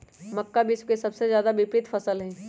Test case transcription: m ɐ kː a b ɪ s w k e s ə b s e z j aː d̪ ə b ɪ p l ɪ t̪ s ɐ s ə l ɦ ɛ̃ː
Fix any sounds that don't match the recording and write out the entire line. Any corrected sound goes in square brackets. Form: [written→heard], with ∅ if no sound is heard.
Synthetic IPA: m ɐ kː a b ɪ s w k e s [ə→ɐ] b s e z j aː d̪ [ə→a] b ɪ p [l→ɾ] ɪ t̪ [s→f] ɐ s ə l ɦ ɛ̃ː